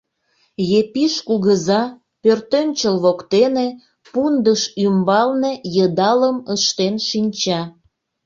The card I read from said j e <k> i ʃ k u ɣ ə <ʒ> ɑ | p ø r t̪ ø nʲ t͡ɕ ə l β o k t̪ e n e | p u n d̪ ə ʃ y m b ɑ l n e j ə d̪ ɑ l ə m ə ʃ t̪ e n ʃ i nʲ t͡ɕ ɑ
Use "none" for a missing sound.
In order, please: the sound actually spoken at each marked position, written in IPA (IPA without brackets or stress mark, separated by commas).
p, z